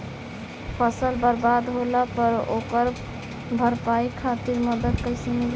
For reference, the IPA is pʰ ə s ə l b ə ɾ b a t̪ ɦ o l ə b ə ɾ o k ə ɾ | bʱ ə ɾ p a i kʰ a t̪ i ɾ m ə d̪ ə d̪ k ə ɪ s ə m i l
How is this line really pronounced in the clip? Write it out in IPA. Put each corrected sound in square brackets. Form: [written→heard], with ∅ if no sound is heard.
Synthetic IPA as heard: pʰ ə s ə l b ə ɾ b a [t̪→d̪] ɦ o l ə [b→p] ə ɾ o k ə ɾ | bʱ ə ɾ p a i kʰ a t̪ i ɾ m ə d̪ ə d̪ k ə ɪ s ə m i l